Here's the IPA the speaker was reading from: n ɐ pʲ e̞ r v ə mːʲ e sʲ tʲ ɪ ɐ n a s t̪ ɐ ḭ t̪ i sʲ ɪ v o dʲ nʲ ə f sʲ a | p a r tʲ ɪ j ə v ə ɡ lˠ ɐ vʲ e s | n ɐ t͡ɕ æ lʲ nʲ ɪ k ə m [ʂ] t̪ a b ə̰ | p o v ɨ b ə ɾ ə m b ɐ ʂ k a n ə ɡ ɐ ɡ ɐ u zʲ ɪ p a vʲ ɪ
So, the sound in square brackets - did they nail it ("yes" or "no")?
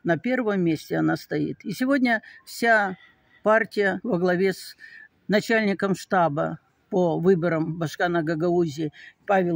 yes